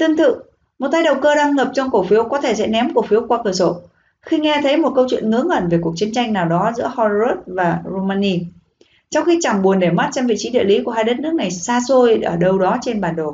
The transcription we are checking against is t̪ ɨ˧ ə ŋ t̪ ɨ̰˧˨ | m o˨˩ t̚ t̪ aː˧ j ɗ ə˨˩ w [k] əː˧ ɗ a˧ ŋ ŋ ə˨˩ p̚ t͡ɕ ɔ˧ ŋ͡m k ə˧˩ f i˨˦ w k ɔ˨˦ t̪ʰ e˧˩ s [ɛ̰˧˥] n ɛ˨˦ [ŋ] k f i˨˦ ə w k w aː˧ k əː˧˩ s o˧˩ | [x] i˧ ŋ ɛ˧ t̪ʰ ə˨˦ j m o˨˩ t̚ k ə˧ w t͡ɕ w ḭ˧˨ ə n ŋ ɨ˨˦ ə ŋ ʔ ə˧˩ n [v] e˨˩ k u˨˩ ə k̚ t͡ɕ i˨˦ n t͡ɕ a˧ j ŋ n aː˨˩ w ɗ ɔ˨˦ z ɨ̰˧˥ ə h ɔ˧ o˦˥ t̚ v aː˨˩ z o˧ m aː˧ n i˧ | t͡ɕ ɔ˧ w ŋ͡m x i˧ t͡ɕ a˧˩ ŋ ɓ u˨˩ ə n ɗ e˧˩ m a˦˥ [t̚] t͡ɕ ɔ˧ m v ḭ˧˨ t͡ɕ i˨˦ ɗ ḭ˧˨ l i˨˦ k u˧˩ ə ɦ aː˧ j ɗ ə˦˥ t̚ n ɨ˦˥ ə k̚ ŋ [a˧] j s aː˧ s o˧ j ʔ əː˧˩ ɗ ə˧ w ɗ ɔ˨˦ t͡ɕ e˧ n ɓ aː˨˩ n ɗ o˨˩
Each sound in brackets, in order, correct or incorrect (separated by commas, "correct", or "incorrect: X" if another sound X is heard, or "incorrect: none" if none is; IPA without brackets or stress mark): correct, correct, incorrect: m, correct, correct, correct, incorrect: a˨˩